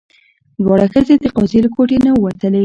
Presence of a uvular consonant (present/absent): present